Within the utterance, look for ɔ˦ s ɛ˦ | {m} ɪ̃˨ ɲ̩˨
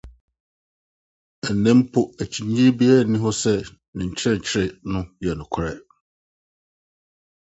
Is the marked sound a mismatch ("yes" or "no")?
yes